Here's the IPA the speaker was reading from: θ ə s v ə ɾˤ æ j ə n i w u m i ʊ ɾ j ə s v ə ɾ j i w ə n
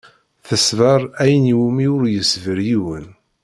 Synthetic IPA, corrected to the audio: θ ə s v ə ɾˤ æ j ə n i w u m i ʊ ɾ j ə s v ə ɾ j i w ə n